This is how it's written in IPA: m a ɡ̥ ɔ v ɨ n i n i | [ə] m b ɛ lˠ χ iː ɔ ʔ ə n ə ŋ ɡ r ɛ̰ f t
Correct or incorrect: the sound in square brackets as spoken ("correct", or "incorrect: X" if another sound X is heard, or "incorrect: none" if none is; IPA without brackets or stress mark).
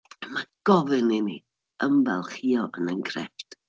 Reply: correct